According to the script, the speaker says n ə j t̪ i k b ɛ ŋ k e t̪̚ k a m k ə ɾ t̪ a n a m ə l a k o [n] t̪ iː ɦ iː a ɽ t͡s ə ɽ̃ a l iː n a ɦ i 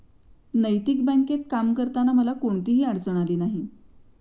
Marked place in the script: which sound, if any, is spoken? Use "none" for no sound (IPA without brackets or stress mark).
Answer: ɳ